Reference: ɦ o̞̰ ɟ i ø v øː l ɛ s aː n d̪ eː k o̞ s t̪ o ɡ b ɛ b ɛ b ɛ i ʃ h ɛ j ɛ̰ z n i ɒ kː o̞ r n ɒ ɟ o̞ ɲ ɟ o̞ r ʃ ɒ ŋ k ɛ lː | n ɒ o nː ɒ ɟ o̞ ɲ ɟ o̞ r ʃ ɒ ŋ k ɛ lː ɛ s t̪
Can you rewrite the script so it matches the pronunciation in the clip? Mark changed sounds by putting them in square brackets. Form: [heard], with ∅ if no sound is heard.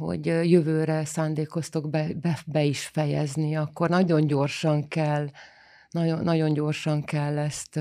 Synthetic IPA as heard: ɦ o̞̰ ɟ [j] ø v øː [ɾ] ɛ s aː n d̪ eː k o̞ s t̪ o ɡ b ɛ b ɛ b ɛ i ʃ [f] ɛ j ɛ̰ z n i ɒ kː o̞ r n ɒ ɟ o̞ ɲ ɟ o̞ r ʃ ɒ ŋ k ɛ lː | n ɒ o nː ɒ ɟ o̞ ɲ ɟ o̞ r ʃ ɒ ŋ k ɛ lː ɛ s t̪